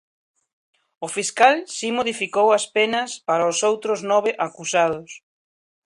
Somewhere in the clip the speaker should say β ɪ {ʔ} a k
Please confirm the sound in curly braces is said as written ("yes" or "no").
yes